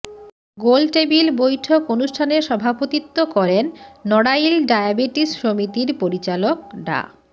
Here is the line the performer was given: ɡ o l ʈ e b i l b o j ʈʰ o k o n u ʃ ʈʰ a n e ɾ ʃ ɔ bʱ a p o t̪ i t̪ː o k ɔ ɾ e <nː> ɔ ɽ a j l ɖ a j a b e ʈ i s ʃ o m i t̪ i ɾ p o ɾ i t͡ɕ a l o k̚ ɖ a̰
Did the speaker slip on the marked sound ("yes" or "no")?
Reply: no